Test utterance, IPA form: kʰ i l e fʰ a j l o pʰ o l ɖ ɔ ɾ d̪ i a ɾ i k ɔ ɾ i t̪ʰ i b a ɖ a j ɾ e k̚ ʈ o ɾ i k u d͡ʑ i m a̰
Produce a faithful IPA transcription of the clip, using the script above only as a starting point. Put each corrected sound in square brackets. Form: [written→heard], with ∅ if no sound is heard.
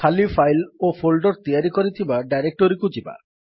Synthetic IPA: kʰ [i→a] l [e→i] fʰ a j l o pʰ o l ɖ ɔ ɾ [d̪→t̪] i a ɾ i k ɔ ɾ i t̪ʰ i b a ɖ a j ɾ e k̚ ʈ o ɾ i k u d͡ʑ i [m→b] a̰